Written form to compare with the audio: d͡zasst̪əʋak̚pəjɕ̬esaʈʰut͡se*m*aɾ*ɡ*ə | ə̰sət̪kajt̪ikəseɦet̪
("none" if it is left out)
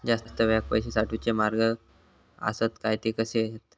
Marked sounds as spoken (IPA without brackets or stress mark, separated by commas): m, ɡ